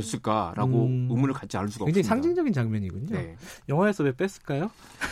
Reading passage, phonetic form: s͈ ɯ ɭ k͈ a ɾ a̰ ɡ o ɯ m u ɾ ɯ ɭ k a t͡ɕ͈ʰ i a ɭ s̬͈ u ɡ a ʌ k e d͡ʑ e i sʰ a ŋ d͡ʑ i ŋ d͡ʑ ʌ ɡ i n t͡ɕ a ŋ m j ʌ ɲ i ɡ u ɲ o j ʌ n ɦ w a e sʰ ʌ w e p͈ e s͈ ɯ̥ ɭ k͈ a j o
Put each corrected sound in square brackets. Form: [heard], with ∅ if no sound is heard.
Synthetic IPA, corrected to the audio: s͈ ɯ ɭ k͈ a ɾ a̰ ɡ o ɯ m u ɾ ɯ ɭ k a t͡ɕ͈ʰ i a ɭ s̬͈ u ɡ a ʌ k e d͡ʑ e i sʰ a ŋ d͡ʑ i ŋ d͡ʑ ʌ ɡ i n t͡ɕ a ŋ m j ʌ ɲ i ɡ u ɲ o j ʌ [ŋ] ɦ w a e sʰ ʌ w e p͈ e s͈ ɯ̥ ɭ k͈ a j o